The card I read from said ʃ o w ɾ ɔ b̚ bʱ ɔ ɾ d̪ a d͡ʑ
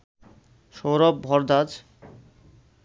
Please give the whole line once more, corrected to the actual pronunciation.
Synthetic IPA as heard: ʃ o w ɾ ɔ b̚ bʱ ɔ ɾ d̪ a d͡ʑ